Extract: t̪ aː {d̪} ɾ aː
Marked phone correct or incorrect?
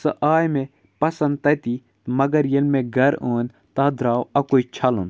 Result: correct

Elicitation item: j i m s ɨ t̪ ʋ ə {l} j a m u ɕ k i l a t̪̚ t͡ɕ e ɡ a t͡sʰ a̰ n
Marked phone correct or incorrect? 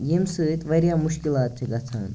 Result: incorrect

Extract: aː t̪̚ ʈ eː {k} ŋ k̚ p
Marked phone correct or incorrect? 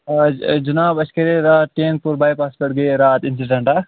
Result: incorrect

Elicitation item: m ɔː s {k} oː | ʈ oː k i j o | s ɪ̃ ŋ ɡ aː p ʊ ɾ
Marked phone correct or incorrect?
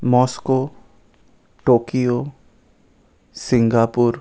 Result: correct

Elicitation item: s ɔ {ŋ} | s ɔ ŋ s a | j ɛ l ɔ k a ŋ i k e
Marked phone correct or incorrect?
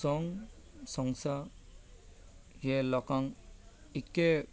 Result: correct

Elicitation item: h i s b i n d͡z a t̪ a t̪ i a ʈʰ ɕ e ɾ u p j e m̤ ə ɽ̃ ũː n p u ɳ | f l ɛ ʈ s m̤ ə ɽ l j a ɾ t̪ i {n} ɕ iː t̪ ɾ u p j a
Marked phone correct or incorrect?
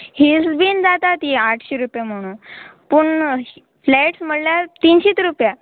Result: correct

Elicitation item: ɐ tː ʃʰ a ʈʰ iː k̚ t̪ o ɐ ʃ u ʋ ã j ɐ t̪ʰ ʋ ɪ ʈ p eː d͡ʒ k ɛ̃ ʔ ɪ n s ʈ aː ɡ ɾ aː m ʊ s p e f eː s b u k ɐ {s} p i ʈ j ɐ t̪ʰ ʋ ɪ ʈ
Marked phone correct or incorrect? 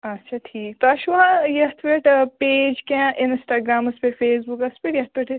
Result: correct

